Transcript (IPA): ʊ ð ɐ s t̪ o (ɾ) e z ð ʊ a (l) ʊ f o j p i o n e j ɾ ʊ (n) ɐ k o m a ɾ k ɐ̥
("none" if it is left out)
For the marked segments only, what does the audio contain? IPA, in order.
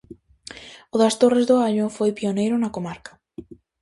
r, ʎ, n

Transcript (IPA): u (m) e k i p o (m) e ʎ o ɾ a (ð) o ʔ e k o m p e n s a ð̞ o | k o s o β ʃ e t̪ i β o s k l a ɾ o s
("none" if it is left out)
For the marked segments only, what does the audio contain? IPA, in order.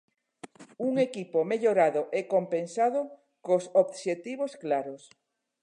ŋ, m, ð

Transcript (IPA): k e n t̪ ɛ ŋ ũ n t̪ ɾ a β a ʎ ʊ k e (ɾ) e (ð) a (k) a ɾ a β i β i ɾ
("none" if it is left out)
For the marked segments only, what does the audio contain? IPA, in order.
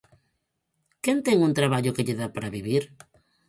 ʎ, ð, p

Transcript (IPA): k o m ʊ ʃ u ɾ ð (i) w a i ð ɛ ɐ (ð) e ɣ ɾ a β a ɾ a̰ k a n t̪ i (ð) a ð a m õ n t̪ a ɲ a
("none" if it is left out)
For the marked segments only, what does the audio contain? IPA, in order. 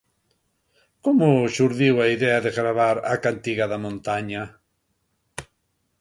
i, ð, ɣ

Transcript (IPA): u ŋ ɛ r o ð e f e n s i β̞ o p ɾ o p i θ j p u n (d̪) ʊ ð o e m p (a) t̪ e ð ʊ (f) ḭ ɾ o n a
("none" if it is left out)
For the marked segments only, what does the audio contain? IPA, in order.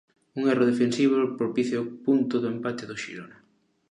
t̪, a, ʃ

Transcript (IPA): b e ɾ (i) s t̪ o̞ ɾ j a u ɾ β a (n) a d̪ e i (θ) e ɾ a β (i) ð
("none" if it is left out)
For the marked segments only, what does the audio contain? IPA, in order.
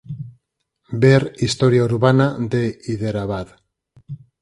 i, n, ð, a

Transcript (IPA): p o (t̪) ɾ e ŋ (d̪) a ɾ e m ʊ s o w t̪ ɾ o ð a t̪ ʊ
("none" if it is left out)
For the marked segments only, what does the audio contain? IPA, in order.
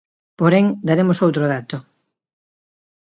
none, d̪

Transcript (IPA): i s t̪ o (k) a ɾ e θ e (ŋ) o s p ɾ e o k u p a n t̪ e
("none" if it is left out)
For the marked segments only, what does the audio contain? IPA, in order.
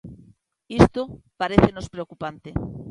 p, n

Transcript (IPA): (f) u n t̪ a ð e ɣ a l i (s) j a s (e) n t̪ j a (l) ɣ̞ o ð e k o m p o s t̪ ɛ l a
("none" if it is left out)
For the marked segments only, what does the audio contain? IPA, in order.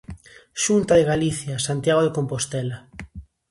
ʃ, θ, a, none

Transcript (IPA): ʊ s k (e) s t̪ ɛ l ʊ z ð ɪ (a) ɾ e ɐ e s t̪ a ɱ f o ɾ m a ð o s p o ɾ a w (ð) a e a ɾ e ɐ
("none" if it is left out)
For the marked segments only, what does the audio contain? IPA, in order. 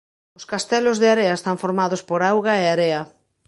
a, a, ɣ

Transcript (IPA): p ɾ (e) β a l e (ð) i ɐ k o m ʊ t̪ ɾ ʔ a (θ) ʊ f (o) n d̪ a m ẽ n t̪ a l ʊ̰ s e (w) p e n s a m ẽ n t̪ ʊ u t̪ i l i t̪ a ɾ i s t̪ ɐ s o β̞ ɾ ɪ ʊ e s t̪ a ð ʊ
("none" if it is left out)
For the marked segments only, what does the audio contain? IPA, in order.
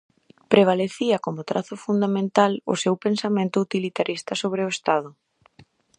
e, θ, θ, u, w

